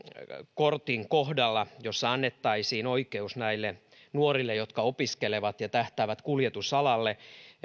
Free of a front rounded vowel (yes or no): yes